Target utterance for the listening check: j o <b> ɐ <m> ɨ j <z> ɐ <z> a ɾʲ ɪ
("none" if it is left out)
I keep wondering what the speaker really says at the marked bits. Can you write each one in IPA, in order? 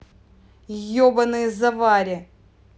b, n, z, v

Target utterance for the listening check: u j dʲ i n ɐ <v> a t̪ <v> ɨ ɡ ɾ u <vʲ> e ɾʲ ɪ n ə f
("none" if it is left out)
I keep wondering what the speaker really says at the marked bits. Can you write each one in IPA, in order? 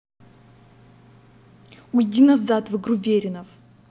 z, v, vʲ

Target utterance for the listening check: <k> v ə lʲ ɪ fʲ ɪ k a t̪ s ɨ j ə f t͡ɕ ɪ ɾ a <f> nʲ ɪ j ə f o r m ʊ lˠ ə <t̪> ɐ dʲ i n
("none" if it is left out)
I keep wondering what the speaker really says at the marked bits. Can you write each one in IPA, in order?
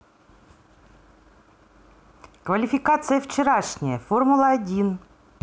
k, ʂ, none

